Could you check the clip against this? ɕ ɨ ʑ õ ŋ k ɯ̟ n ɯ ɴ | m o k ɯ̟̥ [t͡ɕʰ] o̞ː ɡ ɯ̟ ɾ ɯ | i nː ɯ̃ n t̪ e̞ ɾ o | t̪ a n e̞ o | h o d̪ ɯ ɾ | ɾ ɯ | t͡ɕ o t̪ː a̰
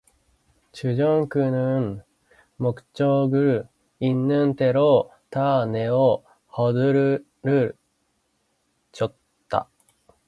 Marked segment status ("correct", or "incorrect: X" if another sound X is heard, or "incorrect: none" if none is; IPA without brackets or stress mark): incorrect: t͡ɕ